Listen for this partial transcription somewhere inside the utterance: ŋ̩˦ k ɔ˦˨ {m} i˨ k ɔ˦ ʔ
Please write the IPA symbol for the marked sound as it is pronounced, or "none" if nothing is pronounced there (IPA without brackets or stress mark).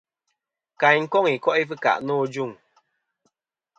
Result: ŋ